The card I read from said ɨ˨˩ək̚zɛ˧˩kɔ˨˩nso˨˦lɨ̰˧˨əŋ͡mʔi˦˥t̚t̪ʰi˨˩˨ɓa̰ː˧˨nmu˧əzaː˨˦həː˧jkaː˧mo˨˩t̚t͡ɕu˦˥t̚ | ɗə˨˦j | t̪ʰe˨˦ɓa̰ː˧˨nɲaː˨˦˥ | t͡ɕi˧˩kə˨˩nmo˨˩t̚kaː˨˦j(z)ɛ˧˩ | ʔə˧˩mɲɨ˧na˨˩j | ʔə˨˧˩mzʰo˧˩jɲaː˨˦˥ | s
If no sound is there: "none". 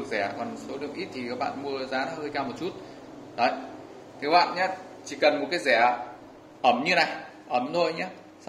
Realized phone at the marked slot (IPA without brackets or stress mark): z